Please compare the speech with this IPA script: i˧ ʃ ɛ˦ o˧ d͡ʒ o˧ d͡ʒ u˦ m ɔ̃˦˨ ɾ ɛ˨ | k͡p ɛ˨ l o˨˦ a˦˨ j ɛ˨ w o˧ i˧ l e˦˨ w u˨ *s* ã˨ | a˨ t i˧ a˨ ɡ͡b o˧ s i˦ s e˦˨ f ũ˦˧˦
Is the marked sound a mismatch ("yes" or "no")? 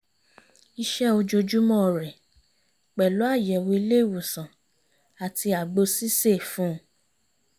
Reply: no